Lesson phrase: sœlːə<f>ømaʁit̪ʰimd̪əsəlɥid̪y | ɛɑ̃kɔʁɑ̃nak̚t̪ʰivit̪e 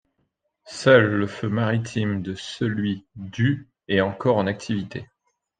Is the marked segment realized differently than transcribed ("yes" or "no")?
no